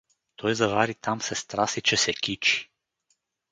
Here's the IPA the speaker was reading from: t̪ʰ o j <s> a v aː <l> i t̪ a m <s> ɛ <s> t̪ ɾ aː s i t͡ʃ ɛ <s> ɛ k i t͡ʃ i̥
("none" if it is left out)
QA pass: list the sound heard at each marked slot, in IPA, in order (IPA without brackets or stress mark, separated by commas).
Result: z, ɾ, s, s, s